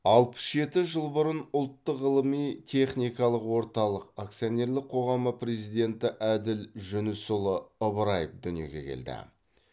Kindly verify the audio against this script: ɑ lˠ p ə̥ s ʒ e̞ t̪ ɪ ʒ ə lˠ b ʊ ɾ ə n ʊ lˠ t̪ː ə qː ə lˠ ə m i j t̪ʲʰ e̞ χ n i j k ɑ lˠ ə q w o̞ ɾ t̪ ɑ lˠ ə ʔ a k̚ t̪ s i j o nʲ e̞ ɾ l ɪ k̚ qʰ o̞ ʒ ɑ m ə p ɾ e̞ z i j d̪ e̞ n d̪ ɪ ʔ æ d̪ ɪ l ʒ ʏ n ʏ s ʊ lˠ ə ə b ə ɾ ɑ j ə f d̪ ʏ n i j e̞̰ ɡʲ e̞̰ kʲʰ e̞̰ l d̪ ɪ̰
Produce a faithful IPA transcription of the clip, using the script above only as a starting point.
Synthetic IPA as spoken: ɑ lˠ p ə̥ s ʒ e̞ t̪ ɪ ʒ ə lˠ b ʊ ɾ ə n ʊ lˠ t̪ː ə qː ə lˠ ə m i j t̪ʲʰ e̞ χ n i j k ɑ lˠ ə q w o̞ ɾ t̪ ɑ lˠ ə q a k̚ t̪ s i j o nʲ e̞ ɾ l ɪ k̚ qʰ o̞ ʁ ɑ m ə p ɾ e̞ z i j d̪ e̞ n t̪ ɪ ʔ æ d̪ ɪ l ʒ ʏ n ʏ s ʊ lˠ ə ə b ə ɾ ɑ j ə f d̪ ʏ n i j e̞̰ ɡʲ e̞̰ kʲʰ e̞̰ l d̪ ɪ̰